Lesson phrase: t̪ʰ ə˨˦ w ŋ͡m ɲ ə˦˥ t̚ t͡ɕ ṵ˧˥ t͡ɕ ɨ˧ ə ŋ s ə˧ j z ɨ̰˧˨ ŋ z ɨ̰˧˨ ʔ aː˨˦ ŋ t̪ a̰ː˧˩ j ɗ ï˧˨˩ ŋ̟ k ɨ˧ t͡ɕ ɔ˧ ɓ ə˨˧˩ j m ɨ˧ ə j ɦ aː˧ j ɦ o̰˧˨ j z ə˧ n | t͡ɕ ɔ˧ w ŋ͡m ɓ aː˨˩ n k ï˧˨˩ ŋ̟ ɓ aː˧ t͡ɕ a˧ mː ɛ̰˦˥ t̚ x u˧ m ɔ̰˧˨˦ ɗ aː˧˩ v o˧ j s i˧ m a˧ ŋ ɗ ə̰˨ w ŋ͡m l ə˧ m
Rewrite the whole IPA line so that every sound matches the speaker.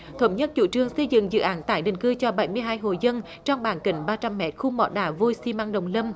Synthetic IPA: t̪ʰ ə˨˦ w ŋ͡m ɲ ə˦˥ t̚ t͡ɕ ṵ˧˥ t͡ɕ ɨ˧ ə ŋ s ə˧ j z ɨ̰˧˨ ŋ z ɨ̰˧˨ ʔ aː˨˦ n t̪ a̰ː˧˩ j ɗ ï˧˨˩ ŋ̟ k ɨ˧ t͡ɕ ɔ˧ ɓ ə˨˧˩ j m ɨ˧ ə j ɦ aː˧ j ɦ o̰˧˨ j z ə˧ n | t͡ɕ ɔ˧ w ŋ͡m ɓ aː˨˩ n k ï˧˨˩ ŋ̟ ɓ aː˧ t͡ɕ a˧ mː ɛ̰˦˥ t̚ x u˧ m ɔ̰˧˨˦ ɗ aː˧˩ v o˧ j s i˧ m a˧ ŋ ɗ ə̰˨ w ŋ͡m l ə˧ m